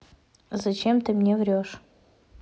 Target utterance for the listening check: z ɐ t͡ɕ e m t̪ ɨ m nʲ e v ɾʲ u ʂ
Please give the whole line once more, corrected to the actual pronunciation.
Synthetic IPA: z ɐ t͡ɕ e m t̪ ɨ m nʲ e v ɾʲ o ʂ